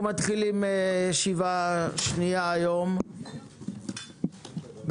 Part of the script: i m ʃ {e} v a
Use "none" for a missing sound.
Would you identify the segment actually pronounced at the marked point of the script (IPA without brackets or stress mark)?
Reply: i